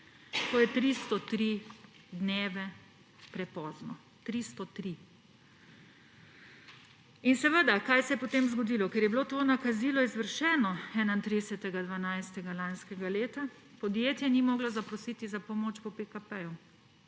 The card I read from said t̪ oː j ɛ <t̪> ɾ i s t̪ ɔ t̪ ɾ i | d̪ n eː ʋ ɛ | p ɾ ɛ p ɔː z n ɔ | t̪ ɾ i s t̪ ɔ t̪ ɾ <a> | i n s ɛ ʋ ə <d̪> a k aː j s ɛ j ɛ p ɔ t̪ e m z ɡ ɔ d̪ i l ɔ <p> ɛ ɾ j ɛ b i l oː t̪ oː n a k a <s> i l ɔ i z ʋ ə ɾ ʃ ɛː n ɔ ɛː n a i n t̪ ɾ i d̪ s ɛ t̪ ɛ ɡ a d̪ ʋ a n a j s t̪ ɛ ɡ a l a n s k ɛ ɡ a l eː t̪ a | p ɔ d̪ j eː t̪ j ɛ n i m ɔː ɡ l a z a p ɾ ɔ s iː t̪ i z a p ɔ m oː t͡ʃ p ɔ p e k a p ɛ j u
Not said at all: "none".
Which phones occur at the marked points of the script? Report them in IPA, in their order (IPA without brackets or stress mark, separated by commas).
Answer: t̪, i, d̪, k, z